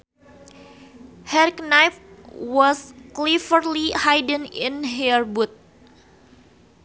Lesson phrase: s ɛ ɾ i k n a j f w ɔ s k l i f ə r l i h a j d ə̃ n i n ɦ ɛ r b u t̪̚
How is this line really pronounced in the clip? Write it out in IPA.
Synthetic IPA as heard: h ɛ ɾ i k n a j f w ɔ s k l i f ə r l i h a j d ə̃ n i n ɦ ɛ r b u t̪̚